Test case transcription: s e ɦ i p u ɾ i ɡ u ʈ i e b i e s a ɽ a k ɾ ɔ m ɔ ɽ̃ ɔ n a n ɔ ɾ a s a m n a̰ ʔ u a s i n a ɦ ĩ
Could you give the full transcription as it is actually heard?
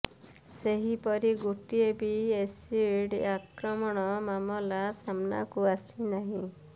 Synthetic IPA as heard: s e ɦ i p ɔ ɾ i ɡ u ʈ i e b i e s i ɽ a k ɾ ɔ m ɔ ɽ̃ ɔ m a m ɔ l a s a m n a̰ k u a s i n a ɦ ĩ